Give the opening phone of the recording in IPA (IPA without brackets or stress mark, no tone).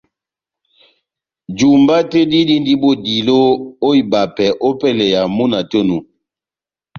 d͡ʒ